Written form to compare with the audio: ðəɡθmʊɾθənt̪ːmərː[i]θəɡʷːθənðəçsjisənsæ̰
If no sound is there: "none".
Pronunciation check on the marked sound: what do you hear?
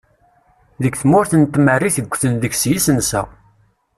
i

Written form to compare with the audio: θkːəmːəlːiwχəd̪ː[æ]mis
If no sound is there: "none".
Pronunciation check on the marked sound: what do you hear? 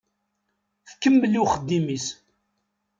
i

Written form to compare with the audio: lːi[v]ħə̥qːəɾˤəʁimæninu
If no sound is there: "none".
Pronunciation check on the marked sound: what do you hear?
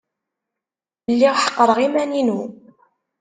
ʁ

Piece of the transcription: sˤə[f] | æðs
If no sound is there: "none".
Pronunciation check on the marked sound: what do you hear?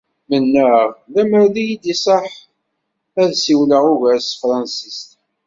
ħ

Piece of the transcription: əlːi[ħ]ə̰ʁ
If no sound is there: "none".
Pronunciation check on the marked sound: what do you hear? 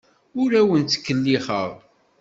χ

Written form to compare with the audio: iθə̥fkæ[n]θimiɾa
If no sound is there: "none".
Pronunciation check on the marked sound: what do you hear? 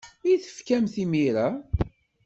m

